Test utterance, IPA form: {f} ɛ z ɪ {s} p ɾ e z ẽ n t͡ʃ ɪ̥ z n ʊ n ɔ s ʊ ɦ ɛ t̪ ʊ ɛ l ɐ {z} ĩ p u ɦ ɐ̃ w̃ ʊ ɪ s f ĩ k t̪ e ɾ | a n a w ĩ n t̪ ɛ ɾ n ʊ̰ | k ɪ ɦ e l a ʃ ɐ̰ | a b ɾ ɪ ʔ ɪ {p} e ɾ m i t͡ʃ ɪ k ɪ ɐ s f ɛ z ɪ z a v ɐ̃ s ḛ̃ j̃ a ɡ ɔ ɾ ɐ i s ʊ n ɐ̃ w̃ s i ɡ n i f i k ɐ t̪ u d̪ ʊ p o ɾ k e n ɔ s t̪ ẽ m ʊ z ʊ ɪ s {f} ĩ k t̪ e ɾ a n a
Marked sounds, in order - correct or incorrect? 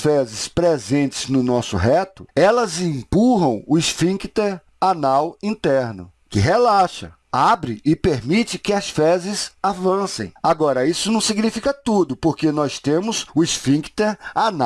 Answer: correct, correct, correct, correct, correct

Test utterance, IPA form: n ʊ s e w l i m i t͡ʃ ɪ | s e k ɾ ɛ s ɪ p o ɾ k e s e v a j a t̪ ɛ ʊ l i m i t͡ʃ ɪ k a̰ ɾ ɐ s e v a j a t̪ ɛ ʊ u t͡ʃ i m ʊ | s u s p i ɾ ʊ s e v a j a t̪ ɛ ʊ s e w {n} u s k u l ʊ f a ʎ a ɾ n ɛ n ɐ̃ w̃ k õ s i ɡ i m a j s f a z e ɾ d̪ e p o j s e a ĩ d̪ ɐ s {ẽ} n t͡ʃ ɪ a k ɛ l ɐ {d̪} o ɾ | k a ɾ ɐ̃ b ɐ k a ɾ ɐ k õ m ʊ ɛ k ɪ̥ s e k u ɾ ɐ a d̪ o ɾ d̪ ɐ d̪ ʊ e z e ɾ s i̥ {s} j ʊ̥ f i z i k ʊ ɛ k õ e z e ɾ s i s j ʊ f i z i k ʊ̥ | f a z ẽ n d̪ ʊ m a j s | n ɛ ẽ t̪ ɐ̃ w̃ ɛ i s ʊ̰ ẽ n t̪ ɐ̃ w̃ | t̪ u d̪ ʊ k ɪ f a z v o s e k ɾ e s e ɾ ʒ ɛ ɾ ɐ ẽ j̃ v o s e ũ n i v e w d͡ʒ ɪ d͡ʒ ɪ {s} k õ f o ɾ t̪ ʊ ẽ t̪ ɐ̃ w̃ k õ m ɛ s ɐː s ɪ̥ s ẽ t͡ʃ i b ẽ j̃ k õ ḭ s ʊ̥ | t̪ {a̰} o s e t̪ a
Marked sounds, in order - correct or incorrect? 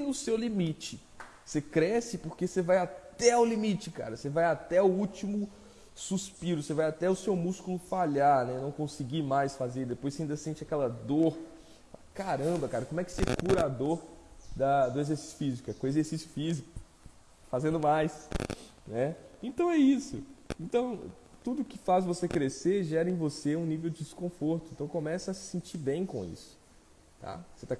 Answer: incorrect: m, correct, correct, correct, correct, correct

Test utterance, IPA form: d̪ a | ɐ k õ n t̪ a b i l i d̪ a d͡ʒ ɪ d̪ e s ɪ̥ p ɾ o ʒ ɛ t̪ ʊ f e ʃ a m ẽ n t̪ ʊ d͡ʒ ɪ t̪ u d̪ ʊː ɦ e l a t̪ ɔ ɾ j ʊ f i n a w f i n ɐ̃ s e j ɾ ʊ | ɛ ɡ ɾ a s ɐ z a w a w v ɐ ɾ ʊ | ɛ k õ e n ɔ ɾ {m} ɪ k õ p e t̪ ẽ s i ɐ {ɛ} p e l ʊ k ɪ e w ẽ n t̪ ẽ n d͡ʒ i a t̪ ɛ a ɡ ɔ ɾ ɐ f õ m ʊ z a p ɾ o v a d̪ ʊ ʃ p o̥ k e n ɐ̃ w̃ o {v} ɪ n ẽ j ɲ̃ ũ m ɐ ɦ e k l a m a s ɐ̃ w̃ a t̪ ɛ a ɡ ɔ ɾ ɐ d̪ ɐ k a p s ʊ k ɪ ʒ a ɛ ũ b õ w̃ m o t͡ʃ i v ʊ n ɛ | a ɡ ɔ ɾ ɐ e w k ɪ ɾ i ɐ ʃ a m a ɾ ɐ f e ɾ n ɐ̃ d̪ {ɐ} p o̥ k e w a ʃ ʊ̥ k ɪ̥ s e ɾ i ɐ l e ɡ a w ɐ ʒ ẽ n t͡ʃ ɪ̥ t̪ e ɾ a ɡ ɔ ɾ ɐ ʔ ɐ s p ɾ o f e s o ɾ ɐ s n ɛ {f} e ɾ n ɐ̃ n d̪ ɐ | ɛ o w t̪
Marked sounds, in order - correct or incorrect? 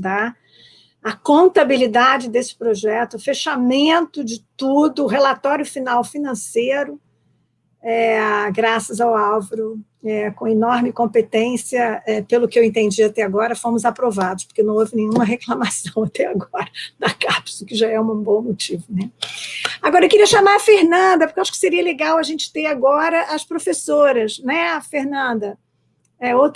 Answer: correct, correct, correct, correct, correct

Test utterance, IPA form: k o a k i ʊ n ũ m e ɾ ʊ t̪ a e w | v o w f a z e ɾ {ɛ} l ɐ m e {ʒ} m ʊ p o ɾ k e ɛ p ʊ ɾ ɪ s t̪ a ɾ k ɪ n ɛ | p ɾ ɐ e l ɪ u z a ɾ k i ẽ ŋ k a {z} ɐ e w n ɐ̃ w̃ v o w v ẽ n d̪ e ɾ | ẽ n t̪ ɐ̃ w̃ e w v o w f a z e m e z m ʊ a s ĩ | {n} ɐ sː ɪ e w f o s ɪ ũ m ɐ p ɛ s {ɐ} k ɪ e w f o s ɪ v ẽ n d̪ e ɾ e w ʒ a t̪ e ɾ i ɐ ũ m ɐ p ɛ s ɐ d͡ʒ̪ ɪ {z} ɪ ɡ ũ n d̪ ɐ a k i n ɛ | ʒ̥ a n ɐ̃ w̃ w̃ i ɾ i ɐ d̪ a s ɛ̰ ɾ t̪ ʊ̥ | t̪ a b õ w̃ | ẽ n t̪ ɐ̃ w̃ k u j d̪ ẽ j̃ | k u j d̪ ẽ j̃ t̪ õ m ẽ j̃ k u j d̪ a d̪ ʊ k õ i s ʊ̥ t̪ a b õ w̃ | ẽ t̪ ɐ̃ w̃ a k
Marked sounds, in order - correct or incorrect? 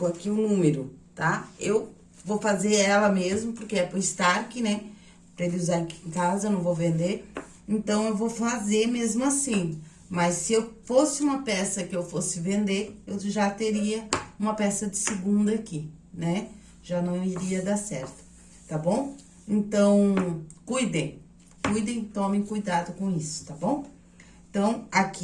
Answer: correct, incorrect: z, correct, incorrect: m, correct, incorrect: s

